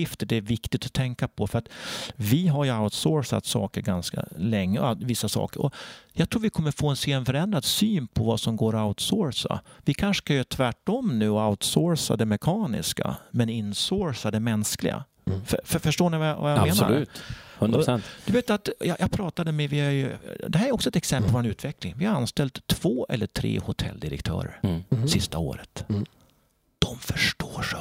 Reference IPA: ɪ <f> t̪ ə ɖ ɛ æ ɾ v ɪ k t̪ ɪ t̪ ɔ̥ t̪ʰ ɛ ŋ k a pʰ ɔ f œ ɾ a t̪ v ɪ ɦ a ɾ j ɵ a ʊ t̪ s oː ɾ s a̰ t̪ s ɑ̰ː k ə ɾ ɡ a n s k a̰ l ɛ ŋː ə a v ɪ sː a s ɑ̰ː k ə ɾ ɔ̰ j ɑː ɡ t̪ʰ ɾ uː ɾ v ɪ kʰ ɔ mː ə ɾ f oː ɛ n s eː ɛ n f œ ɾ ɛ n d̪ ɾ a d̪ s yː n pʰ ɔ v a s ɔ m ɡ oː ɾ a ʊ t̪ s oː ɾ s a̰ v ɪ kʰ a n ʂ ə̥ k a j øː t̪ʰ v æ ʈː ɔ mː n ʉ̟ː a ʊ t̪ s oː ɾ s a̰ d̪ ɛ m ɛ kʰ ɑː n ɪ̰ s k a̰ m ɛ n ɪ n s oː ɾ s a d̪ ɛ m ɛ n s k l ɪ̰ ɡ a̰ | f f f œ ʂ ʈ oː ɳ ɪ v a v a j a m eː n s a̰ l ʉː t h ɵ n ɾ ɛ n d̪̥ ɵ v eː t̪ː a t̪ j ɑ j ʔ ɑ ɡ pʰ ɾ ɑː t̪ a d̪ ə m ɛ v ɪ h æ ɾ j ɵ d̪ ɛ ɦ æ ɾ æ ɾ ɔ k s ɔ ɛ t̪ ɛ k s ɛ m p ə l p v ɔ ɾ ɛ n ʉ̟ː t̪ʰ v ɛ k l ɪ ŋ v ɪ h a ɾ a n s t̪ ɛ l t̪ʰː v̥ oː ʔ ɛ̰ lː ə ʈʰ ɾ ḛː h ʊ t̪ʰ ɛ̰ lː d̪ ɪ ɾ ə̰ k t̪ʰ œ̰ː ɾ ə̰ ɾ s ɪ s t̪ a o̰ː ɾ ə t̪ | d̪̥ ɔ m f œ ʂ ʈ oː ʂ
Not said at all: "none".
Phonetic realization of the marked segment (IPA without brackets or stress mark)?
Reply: f